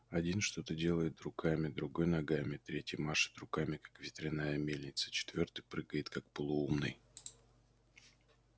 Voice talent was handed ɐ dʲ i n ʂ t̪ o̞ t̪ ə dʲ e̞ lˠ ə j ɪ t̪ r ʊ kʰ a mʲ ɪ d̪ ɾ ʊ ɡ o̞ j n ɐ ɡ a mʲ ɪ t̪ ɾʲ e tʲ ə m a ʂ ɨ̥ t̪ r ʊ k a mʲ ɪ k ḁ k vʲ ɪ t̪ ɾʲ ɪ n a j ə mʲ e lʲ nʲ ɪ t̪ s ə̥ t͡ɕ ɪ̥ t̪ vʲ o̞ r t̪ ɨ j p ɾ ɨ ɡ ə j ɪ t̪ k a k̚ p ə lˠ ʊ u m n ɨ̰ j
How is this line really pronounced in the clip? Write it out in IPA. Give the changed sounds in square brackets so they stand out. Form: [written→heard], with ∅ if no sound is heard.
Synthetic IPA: ɐ dʲ i n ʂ t̪ o̞ t̪ ə dʲ e̞ lˠ ə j ɪ t̪ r ʊ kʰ a mʲ ɪ d̪ ɾ ʊ ɡ o̞ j n ɐ ɡ a mʲ ɪ t̪ ɾʲ e tʲ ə m a ʂ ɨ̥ t̪ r ʊ k a mʲ ɪ k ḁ k vʲ ɪ t̪ ɾʲ ɪ n a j ə mʲ e lʲ nʲ ɪ t̪ s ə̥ t͡ɕ ɪ̥ t̪ vʲ o̞ r t̪ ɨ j p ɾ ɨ ɡ ə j ɪ t̪ k a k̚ p ə lˠ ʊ u m n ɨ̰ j